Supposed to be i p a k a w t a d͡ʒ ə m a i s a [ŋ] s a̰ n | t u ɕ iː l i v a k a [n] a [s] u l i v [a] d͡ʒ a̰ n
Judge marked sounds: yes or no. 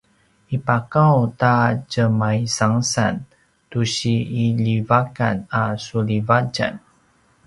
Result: yes, yes, yes, yes

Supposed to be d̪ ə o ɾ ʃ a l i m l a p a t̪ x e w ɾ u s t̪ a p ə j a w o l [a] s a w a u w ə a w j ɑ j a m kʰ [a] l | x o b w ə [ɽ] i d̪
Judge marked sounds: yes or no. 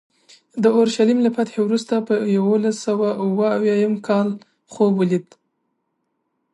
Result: yes, no, no

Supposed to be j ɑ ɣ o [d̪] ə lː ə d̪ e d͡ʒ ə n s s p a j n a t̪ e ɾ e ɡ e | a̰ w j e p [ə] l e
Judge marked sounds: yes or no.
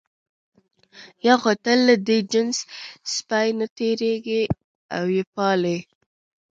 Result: no, no

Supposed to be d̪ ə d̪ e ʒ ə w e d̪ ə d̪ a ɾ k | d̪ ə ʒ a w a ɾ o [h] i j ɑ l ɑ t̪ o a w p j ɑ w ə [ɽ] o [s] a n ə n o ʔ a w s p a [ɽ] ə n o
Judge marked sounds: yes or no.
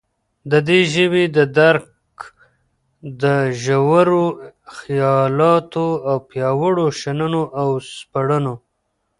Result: no, yes, no, yes

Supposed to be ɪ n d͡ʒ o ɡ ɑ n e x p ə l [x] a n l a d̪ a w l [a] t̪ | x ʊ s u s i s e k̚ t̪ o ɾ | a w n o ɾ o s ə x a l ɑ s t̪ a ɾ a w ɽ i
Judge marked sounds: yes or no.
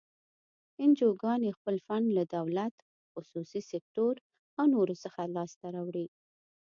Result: no, yes

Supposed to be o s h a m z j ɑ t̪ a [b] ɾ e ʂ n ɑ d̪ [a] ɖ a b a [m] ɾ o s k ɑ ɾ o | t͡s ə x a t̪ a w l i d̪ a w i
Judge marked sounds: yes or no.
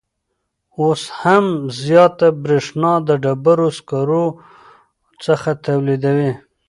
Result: yes, no, no

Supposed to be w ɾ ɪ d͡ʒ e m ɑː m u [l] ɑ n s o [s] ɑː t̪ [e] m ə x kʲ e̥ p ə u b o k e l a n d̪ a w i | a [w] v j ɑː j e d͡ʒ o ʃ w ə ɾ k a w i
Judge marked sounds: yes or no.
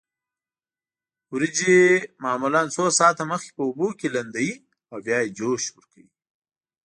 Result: yes, yes, no, yes

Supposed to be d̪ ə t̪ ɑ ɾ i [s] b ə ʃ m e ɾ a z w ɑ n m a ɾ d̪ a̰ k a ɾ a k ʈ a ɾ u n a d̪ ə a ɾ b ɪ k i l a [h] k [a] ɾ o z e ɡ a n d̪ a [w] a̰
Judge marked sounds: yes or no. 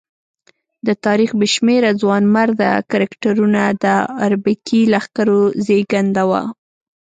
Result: no, no, yes, yes

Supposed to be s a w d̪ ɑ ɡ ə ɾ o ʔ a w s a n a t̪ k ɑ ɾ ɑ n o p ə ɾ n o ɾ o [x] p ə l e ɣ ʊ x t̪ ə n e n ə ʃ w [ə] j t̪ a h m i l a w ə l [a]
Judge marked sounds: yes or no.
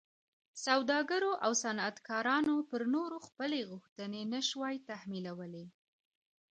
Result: yes, no, no

